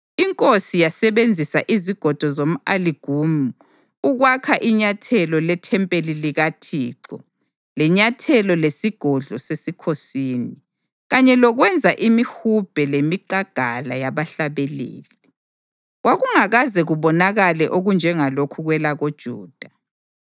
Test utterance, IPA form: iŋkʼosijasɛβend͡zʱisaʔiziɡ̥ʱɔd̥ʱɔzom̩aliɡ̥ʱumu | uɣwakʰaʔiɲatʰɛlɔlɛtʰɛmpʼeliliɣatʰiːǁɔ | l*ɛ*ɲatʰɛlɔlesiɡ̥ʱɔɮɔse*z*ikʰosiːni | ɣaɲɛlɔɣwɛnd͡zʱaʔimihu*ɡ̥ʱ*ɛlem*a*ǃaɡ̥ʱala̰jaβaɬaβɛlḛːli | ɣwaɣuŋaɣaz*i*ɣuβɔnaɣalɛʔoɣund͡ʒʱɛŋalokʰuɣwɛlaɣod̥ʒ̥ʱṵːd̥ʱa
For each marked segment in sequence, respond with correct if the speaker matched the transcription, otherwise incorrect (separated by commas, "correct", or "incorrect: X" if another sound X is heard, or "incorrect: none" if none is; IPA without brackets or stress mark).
correct, incorrect: s, incorrect: b̥ʱ, incorrect: i, incorrect: ɛ